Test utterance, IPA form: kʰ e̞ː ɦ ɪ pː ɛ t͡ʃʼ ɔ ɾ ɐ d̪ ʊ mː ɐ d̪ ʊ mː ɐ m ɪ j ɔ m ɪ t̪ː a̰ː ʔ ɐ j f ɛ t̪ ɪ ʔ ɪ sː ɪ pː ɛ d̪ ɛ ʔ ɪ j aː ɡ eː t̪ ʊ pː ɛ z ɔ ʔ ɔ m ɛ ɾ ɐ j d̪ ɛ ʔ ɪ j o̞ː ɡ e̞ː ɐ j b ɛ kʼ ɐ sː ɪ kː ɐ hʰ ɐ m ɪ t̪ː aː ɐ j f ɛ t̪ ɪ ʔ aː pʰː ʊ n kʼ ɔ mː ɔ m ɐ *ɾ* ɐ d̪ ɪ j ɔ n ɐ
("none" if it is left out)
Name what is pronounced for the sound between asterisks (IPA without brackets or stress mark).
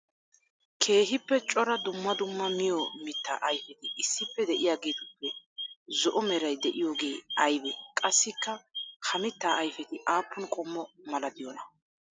l